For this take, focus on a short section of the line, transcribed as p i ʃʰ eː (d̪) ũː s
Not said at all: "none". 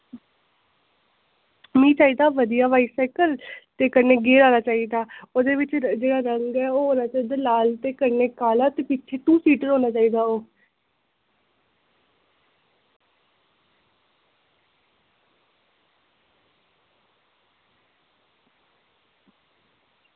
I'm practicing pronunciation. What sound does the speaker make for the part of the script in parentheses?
t̪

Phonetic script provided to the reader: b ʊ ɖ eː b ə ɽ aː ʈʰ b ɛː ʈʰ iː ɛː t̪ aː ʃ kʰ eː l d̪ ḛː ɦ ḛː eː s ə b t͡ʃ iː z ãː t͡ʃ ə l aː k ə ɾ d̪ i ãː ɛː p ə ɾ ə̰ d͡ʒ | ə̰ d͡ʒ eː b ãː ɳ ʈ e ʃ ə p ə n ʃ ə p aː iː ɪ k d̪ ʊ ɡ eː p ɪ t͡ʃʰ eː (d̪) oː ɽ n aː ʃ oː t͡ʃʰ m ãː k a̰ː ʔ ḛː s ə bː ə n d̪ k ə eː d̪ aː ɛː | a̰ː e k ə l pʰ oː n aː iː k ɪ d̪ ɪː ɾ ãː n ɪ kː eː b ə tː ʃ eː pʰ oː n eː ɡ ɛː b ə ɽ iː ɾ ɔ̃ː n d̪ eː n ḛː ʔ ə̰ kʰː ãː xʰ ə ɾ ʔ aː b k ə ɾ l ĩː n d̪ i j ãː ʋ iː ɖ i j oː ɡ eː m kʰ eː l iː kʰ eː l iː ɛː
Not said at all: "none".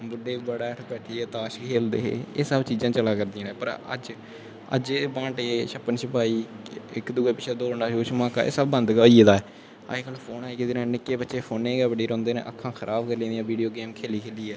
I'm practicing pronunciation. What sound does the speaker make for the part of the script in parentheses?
d̪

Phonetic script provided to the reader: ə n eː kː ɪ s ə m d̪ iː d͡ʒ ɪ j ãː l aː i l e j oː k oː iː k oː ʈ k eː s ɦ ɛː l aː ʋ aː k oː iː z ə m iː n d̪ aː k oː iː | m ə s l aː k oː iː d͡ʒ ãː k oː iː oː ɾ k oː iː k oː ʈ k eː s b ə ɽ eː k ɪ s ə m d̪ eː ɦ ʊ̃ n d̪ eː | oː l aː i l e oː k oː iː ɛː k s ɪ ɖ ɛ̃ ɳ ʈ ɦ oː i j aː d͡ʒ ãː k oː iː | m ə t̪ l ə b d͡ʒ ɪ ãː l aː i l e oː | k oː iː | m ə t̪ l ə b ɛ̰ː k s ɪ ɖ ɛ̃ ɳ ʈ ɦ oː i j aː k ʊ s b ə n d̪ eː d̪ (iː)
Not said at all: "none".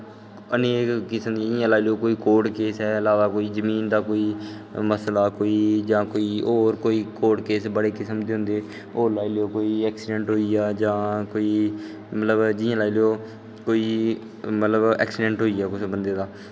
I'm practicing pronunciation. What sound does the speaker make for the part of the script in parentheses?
aː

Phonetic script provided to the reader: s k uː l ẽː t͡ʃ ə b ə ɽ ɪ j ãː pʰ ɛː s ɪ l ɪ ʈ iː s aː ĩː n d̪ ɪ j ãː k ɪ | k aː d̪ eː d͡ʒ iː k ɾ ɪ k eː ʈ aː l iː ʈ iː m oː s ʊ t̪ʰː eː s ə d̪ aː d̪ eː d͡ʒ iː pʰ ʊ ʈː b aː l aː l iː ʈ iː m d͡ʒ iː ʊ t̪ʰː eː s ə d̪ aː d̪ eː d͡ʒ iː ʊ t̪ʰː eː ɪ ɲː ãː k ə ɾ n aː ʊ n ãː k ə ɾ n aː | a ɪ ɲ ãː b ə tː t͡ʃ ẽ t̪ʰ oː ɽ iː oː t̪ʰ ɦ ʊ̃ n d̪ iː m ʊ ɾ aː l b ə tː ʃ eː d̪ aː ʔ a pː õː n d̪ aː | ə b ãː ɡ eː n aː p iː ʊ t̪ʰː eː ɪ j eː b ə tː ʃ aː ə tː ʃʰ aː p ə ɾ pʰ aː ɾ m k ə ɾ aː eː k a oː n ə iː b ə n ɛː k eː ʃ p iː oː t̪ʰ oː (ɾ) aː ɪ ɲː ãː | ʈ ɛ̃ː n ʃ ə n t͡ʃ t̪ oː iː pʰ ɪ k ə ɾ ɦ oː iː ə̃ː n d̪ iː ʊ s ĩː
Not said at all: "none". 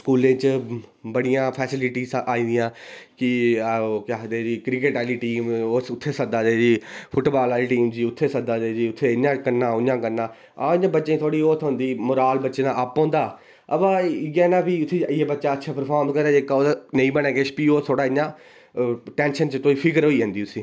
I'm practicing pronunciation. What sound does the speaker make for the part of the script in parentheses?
ɽ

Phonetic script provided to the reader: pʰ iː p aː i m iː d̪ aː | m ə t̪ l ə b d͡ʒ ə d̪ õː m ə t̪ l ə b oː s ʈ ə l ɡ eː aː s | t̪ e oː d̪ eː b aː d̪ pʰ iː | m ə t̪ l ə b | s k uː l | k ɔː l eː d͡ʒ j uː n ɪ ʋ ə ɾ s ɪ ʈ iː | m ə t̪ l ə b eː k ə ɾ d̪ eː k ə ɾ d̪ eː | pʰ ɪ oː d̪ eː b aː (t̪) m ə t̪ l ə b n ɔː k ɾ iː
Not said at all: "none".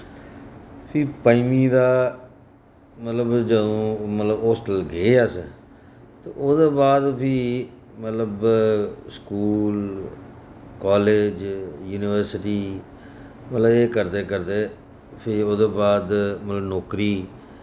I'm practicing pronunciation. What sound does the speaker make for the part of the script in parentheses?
d̪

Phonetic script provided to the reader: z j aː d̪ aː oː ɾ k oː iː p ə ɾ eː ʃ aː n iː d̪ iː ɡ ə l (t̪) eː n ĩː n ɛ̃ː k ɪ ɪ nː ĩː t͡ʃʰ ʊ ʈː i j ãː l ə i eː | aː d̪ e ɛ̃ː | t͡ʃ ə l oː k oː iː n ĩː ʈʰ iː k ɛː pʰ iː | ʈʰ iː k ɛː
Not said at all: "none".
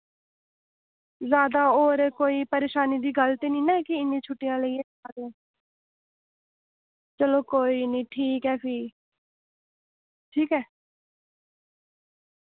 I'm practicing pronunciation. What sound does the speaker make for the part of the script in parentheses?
t̪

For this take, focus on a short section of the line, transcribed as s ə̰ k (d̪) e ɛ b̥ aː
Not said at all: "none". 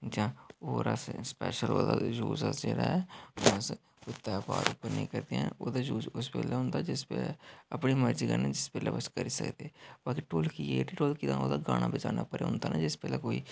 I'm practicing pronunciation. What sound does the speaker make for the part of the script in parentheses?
d̪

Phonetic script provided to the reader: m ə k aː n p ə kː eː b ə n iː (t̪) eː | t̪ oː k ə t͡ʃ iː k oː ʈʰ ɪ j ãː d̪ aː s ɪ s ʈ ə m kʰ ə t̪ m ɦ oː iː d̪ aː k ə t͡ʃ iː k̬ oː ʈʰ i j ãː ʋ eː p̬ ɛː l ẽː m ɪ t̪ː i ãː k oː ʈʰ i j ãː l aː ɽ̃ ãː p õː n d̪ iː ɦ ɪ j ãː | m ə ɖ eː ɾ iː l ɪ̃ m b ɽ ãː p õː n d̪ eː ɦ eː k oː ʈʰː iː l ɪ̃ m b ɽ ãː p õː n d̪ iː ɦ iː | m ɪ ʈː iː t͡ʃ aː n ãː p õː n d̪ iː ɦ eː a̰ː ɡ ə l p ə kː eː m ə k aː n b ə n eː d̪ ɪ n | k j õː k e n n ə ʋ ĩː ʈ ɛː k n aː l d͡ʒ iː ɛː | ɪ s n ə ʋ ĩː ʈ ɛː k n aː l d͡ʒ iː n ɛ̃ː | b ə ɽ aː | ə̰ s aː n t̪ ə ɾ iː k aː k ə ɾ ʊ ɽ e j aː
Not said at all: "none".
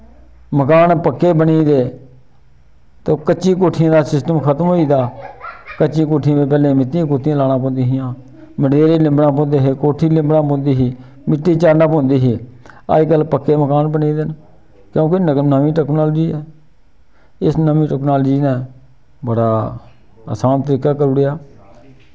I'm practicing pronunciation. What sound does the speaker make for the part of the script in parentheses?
d̪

